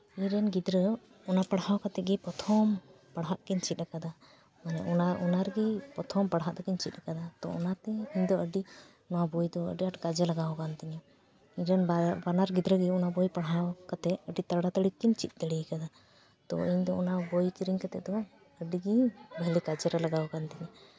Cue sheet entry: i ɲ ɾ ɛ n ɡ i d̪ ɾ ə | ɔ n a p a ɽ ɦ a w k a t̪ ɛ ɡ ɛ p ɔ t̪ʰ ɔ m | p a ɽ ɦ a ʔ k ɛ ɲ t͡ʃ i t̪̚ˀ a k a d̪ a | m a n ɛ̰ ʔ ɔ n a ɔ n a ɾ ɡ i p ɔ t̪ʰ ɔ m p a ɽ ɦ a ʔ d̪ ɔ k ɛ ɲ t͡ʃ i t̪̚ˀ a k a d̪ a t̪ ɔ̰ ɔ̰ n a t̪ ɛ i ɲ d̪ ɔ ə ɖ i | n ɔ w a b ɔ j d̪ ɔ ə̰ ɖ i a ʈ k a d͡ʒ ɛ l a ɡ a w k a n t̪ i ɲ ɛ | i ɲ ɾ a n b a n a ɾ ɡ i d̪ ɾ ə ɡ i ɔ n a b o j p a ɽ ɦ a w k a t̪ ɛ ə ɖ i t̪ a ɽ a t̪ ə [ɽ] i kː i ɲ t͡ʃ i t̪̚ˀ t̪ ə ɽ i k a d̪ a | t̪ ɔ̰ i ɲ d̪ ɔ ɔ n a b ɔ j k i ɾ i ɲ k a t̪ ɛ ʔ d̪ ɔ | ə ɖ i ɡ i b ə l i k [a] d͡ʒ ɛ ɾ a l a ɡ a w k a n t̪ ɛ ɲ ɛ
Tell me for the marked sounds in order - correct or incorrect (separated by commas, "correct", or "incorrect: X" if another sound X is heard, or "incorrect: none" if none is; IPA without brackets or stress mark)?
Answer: correct, correct